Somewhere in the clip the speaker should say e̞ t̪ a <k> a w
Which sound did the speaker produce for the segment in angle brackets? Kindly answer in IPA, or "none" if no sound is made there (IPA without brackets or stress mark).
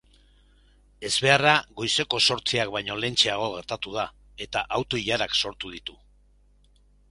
ʔ